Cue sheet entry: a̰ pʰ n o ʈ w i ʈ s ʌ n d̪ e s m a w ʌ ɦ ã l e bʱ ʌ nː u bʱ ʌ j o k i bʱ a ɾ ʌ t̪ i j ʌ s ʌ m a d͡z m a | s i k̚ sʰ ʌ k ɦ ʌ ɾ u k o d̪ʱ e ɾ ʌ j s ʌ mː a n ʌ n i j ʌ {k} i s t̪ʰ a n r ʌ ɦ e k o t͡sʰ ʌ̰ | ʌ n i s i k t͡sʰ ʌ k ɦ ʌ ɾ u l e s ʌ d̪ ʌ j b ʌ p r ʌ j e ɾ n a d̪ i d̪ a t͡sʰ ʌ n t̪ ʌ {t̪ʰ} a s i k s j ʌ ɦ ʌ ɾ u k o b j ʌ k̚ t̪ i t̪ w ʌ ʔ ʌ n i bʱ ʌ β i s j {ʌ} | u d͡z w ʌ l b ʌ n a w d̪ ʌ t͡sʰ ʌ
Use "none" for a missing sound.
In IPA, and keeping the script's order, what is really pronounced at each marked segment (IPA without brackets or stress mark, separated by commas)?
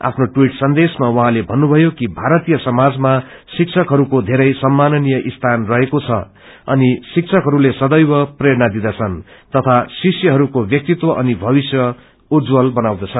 ʔ, t̪ʰ, ʌ